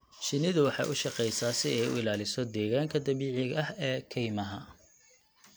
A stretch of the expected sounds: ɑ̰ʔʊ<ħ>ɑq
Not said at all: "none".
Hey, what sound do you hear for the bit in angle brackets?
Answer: ʃ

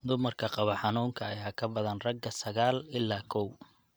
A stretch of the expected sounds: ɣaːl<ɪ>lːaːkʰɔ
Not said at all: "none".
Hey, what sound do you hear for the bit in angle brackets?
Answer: ɪ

